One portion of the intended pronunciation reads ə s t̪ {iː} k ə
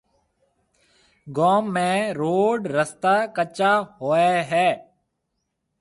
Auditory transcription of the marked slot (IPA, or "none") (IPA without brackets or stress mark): aː